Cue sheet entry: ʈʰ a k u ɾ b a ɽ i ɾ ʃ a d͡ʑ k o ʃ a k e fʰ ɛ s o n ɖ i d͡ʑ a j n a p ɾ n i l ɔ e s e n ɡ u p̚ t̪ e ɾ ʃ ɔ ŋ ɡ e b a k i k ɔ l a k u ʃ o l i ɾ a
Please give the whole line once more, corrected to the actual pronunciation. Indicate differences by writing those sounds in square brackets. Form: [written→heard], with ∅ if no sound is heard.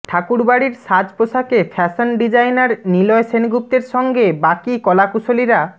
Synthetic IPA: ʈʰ a k u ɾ b a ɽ i ɾ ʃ a d͡ʑ [k→p] o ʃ a k e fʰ ɛ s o n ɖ i d͡ʑ a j n a [p→∅] ɾ n i l ɔ e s e n ɡ u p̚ t̪ e ɾ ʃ ɔ ŋ ɡ e b a k i k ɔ l a k u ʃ o l i ɾ a